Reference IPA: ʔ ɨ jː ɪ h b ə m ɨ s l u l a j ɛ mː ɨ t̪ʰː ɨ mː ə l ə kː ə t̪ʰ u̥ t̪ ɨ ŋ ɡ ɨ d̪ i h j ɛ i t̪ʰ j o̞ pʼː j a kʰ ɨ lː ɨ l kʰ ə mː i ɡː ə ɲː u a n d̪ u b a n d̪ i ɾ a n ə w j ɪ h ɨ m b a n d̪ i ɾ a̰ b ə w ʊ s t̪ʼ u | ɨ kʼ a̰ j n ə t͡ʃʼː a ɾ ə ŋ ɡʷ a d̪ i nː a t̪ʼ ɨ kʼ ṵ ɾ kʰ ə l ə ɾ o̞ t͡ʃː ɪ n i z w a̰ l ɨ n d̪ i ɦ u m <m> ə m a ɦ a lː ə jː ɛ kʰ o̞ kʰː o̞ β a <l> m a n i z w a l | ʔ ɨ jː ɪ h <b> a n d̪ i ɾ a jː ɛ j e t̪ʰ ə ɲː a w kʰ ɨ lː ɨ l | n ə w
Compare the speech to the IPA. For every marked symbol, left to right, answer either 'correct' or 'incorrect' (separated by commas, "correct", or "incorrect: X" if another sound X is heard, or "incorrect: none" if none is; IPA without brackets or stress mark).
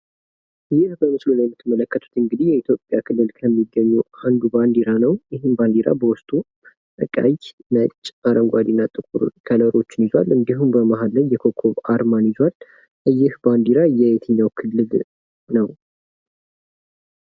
incorrect: b, incorrect: ɾ, correct